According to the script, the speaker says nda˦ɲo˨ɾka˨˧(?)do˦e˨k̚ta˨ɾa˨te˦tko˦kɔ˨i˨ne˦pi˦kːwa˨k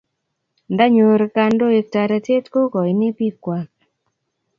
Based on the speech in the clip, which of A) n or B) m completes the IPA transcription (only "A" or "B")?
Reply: A